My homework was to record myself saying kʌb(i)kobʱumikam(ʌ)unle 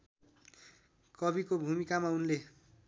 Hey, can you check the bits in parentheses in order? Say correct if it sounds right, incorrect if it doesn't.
correct, incorrect: a

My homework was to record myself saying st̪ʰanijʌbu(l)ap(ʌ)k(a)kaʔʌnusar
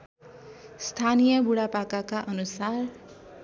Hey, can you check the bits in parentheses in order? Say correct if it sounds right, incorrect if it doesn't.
incorrect: ɽ, incorrect: a, correct

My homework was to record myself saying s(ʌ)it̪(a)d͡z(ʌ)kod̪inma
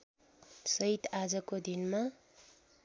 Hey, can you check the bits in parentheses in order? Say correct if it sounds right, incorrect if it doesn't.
correct, correct, correct

